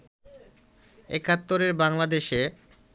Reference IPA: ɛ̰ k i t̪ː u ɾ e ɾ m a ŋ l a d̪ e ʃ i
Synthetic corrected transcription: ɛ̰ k a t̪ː o ɾ e ɾ b a ŋ l a d̪ e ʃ e